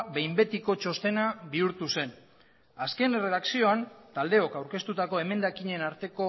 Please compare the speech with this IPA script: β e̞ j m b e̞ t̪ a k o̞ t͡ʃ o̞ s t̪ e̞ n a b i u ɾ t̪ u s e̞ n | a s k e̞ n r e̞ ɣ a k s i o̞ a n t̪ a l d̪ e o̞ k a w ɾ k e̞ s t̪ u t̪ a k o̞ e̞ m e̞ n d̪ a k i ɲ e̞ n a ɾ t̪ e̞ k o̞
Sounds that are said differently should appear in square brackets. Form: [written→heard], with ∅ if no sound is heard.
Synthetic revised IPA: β e̞ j m b e̞ t̪ [a→i] k o̞ t͡ʃ o̞ s t̪ e̞ n a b i u ɾ t̪ u s e̞ n | a s k e̞ n r e̞ [ɣ→ð] a k s i o̞ a n t̪ a l d̪ e o̞ k a w ɾ k e̞ s t̪ u t̪ a k o̞ e̞ m e̞ n d̪ a k i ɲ e̞ n a ɾ t̪ e̞ k o̞